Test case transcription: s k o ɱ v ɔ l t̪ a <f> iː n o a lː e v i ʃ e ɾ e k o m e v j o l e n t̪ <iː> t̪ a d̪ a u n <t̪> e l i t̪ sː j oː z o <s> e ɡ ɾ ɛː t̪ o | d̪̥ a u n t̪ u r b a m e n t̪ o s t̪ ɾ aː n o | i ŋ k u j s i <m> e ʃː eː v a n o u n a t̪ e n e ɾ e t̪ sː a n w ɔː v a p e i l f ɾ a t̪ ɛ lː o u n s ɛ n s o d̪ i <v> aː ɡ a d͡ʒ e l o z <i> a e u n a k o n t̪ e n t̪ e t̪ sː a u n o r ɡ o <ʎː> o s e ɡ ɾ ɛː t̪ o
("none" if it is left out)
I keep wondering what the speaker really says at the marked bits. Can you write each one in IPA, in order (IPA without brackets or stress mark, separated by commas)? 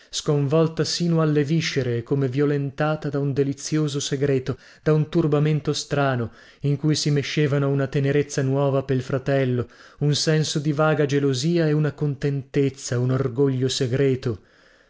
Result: s, aː, d̪, s, m, v, iː, ʎː